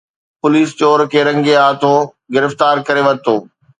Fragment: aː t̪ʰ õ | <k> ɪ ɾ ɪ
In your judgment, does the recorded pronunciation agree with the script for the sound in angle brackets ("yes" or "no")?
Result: no